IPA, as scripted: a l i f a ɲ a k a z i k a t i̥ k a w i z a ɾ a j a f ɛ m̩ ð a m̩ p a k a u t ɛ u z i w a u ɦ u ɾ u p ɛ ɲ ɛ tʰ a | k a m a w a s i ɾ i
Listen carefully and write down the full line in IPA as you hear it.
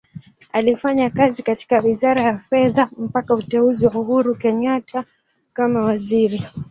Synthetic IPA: a l i f a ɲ a k a z i k a t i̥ k a w i z a ɾ a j a f ɛ ð a m̩ p a k a u t ɛ u z i w a u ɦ u ɾ u k ɛ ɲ a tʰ a | k a m a w a z i ɾ i